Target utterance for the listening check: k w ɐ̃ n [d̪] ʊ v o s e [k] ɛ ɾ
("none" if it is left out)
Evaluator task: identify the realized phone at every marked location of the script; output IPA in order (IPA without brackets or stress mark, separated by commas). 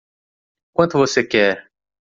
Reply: t̪, k